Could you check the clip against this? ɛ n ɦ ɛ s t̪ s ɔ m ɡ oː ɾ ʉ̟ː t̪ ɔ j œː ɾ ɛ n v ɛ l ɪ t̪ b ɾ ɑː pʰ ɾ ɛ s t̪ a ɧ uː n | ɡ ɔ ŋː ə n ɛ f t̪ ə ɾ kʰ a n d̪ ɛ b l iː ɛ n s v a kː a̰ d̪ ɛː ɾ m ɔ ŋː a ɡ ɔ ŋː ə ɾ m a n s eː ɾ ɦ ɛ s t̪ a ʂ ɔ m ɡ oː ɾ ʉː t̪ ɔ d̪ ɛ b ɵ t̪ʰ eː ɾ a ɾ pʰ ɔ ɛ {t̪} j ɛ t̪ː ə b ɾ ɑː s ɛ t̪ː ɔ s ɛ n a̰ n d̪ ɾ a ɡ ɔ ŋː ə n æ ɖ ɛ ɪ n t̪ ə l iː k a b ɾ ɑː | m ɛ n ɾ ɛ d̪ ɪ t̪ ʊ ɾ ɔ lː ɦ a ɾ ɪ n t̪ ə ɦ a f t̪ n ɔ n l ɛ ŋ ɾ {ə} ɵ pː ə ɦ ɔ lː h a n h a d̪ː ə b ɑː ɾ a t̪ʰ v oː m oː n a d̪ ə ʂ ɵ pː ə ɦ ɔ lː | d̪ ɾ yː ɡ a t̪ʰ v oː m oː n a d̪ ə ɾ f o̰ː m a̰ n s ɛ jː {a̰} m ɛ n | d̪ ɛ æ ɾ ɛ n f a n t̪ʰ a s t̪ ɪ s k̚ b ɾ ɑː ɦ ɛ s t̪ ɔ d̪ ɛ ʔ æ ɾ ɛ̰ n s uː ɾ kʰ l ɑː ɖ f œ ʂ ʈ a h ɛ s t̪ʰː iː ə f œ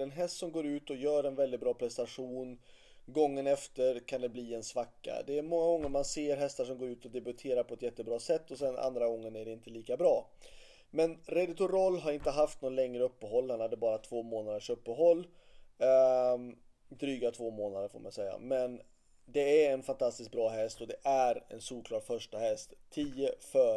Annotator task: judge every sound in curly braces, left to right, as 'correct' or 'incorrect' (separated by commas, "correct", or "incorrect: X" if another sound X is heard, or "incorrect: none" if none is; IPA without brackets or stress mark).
correct, correct, correct